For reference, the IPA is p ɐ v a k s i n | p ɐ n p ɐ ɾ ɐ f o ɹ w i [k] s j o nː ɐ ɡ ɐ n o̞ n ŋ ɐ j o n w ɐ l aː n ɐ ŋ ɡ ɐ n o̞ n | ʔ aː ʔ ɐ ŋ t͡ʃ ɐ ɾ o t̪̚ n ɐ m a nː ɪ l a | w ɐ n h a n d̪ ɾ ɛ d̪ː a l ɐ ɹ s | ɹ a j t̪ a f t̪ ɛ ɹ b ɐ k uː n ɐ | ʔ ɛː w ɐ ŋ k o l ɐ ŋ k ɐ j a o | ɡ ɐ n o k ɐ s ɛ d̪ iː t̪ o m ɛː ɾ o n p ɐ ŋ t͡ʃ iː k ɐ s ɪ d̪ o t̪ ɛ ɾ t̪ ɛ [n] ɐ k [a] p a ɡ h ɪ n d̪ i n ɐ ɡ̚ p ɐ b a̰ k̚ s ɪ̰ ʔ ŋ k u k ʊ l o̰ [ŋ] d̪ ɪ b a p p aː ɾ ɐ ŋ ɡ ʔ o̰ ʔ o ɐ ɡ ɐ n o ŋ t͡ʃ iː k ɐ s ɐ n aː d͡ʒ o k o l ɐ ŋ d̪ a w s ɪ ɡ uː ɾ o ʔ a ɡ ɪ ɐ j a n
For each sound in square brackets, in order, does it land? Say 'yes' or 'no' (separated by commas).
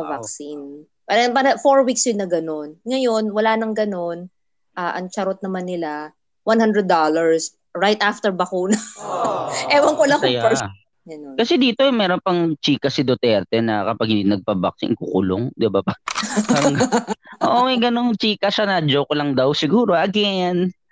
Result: yes, yes, no, yes